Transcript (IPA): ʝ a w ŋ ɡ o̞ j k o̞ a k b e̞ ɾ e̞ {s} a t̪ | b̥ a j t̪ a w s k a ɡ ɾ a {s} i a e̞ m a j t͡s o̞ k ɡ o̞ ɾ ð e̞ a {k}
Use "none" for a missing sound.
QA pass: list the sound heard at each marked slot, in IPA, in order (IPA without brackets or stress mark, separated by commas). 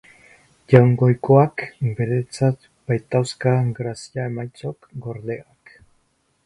t͡s, s, k